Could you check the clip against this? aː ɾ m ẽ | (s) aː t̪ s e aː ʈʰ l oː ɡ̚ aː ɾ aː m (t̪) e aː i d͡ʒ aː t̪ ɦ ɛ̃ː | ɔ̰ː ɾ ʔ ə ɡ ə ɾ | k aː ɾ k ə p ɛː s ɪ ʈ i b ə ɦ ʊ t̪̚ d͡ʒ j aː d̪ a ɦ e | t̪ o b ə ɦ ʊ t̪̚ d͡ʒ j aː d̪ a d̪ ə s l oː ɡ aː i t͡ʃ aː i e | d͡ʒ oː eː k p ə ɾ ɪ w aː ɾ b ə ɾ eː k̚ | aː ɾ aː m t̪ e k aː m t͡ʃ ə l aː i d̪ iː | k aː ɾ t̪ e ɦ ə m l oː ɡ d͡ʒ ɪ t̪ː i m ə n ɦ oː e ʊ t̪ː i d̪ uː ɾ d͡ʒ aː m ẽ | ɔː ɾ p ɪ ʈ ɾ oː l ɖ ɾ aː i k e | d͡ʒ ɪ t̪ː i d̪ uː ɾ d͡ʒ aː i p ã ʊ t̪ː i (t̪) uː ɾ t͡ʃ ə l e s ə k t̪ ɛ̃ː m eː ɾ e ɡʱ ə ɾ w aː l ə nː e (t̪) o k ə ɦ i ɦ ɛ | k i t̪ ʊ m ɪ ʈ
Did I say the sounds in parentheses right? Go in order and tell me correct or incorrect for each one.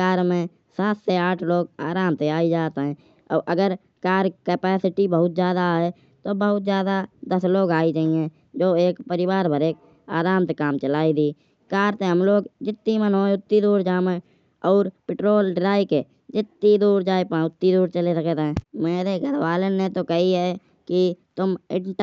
correct, correct, incorrect: d̪, correct

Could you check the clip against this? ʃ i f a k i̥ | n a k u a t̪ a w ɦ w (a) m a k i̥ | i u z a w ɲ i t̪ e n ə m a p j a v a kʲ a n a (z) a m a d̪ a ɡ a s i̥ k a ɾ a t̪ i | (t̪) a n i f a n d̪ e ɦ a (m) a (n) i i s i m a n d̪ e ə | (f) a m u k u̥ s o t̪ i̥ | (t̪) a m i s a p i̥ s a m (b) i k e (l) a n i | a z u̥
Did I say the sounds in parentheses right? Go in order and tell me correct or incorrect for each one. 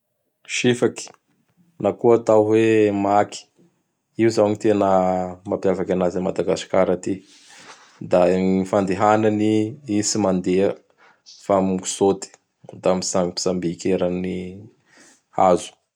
incorrect: e, correct, incorrect: d̪, incorrect: n, correct, correct, incorrect: d̪, correct, incorrect: ɾ

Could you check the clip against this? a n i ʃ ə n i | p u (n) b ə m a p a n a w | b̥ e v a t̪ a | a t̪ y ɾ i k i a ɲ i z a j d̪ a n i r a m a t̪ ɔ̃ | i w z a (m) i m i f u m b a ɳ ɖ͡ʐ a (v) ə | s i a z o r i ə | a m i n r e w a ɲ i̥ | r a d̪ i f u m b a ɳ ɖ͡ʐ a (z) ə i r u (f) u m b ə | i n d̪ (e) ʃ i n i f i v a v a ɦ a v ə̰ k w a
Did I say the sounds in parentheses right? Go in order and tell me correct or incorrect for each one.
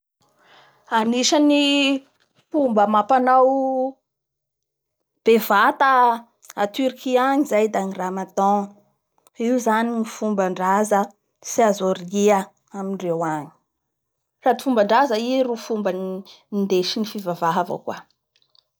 incorrect: m, incorrect: n, incorrect: z, correct, correct, correct

